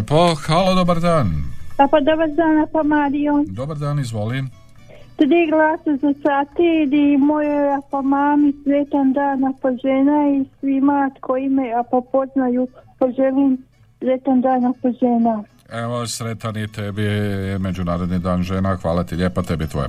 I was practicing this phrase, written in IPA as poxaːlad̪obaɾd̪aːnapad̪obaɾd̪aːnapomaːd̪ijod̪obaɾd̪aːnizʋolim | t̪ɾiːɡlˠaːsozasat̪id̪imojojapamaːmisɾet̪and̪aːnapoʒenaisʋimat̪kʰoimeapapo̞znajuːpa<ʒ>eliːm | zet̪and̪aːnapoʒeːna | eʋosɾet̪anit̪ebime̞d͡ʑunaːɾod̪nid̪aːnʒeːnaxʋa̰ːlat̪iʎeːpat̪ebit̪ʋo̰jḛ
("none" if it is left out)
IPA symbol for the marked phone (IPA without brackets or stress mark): ʒ